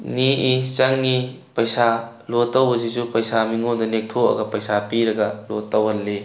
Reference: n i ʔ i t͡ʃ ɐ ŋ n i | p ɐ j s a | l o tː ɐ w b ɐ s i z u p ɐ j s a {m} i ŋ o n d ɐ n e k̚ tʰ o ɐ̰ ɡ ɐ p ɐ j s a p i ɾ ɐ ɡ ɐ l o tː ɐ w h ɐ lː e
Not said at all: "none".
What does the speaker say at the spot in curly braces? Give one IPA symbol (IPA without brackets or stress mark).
m